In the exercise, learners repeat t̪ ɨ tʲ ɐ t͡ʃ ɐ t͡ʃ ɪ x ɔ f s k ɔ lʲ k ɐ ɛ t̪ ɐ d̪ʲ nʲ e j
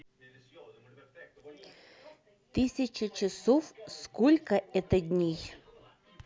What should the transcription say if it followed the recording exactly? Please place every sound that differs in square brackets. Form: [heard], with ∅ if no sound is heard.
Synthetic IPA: t̪ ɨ [sʲ] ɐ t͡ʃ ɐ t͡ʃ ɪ [s] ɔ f s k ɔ lʲ k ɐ ɛ t̪ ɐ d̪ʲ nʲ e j